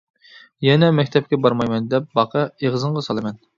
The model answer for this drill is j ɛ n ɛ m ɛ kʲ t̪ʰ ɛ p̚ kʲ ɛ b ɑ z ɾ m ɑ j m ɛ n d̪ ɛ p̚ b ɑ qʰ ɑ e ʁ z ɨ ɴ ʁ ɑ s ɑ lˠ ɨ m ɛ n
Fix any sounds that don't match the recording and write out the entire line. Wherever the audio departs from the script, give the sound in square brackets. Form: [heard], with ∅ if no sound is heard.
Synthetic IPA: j ɛ n ɛ m ɛ kʲ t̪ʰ ɛ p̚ kʲ ɛ b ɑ [∅] ɾ m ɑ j m ɛ n d̪ ɛ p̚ b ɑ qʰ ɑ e ʁ z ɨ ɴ ʁ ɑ s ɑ lˠ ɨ m ɛ n